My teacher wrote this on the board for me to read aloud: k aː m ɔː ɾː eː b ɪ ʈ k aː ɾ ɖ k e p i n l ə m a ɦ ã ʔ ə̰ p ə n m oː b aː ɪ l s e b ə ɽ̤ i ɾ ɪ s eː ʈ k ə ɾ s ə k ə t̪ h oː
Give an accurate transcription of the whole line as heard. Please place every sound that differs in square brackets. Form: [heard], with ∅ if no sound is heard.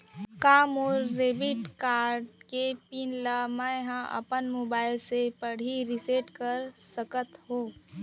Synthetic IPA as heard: k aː m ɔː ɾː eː b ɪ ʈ k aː ɾ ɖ k e p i n l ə m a ɦ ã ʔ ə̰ p ə n m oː b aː ɪ l s e [p] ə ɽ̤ i ɾ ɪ s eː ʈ k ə ɾ s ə k ə t̪ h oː